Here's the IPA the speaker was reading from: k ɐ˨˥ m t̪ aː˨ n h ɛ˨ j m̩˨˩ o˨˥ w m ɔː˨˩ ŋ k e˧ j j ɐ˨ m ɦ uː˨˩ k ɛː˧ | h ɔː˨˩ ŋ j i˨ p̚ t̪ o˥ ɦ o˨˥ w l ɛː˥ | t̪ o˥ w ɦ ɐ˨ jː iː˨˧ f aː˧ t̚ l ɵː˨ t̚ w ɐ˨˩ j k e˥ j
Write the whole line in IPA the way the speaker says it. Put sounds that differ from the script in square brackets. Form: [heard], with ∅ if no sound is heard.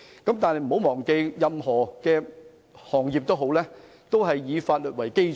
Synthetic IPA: k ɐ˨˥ m t̪ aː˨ n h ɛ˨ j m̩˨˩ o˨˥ w m ɔː˨˩ ŋ k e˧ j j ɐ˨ m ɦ [ɔː˨˩] k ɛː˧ | h ɔː˨˩ ŋ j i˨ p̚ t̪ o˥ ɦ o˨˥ w l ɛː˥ | t̪ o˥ w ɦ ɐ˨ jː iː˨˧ f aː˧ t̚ l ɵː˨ t̚ w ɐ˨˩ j k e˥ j